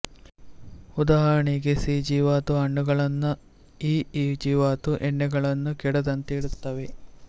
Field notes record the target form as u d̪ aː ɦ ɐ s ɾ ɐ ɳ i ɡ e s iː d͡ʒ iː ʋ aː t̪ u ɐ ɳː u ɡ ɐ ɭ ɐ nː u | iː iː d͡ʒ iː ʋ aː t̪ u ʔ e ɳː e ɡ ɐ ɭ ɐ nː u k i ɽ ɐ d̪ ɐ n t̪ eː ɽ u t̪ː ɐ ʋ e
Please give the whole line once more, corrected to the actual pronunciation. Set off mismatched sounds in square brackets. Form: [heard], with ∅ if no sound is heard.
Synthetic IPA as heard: u d̪ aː ɦ ɐ [∅] ɾ ɐ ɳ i ɡ e s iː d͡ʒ iː ʋ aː t̪ u ɐ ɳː u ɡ ɐ ɭ ɐ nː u | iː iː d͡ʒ iː ʋ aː t̪ u ʔ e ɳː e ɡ ɐ ɭ ɐ nː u k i ɽ ɐ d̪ ɐ n t̪ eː ɽ u t̪ː ɐ ʋ e